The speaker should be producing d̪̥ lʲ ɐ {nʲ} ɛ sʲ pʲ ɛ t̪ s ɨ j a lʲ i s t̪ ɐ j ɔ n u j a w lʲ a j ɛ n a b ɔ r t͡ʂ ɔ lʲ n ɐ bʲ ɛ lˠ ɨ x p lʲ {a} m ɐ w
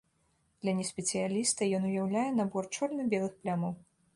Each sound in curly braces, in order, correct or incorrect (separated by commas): correct, correct